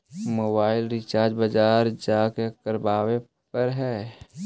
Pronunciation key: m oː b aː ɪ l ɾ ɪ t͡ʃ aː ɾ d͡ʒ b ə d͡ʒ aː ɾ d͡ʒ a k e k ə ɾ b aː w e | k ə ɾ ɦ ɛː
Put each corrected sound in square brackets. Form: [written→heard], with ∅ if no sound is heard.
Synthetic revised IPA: m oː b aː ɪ l ɾ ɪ t͡ʃ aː ɾ d͡ʒ b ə d͡ʒ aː ɾ d͡ʒ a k e k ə ɾ b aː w e | [k→p] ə ɾ ɦ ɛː